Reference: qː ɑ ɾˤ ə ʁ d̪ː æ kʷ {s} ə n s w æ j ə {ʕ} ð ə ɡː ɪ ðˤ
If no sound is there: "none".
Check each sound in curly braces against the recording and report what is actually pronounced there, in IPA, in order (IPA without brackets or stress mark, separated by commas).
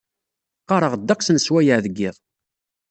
s, ʕ